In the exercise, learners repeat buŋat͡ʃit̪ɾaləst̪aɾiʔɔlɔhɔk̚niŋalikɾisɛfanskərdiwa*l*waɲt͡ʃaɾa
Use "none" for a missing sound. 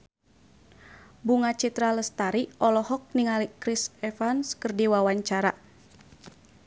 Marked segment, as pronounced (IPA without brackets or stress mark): none